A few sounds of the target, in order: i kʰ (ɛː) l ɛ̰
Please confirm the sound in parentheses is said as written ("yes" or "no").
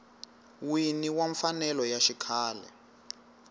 no